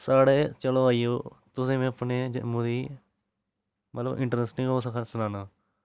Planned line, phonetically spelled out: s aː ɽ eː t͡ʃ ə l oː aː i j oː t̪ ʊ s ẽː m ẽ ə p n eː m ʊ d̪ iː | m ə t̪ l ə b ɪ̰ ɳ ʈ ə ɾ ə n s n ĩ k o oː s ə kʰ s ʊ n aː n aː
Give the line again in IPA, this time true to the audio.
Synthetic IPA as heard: s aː ɽ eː t͡ʃ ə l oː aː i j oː t̪ ʊ s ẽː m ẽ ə p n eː m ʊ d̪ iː | m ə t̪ l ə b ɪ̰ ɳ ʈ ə ɾ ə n s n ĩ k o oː s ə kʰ s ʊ n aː n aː